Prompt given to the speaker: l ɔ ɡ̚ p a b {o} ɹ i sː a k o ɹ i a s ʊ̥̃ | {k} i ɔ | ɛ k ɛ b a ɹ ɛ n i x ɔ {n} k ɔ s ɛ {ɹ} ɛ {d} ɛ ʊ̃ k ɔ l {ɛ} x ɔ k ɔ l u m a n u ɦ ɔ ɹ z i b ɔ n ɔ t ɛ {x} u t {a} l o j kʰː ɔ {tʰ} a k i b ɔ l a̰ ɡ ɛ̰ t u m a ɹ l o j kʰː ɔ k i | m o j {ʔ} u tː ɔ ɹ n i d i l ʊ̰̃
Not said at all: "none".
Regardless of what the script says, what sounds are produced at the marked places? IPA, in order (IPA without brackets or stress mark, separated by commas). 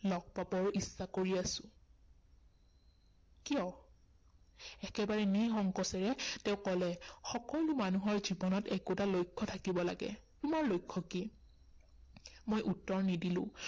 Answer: ɔ, k, ŋ, ɹ, t, ɛ, k, a, tʰ, ʔ